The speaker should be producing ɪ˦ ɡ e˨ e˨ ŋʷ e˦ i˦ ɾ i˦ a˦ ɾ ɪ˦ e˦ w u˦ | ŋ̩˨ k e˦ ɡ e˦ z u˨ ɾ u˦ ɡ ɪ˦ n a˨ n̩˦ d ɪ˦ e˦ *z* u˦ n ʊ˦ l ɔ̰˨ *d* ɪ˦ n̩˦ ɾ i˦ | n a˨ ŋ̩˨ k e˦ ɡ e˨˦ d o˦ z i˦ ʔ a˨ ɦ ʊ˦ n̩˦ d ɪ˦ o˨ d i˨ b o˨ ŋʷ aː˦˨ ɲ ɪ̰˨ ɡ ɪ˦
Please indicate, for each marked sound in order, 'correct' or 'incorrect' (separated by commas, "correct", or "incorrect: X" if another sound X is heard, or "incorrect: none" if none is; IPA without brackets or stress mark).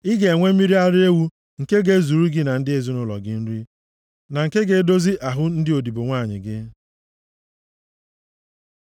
correct, incorrect: ɡ